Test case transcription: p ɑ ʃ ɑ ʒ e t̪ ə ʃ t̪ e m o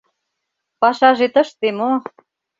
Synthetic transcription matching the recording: p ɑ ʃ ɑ ʒ e t̪ ə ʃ t̪ e m o